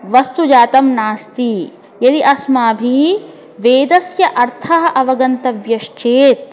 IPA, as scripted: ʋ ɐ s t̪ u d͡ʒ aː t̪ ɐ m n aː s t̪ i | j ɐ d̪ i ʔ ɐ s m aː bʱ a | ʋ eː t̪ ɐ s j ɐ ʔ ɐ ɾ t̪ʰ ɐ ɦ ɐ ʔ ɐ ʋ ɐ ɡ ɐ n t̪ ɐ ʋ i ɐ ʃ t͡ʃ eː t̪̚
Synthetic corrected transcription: ʋ ɐ s t̪ u d͡ʒ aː t̪ ɐ m n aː s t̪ i | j ɐ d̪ i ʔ ɐ s m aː bʱ i | ʋ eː d̪ ɐ s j ɐ ʔ ɐ ɾ t̪ʰ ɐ ɦ ɐ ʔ ɐ ʋ ɐ ɡ ɐ n t̪ ɐ ʋ j ɐ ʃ t͡ʃ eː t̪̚